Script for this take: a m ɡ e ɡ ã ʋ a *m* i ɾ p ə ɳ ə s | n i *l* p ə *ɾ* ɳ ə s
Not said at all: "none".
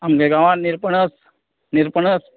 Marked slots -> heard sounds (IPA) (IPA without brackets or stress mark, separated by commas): n, ɾ, none